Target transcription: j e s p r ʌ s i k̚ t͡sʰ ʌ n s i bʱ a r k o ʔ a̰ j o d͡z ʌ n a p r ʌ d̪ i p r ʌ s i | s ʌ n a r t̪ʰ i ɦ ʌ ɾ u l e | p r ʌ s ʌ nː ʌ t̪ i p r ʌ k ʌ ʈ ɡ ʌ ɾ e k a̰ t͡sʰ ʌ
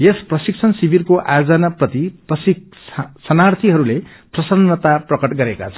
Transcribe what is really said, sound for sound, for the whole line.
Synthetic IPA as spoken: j e s p r ʌ s i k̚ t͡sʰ ʌ n s i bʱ i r k o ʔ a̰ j o d͡z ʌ n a p r ʌ t̪ i p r ʌ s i | s ʌ n a r t̪ʰ i ɦ ʌ ɾ u l e | p r ʌ s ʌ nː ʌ t̪ a p r ʌ k ʌ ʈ ɡ ʌ ɾ e k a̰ t͡sʰ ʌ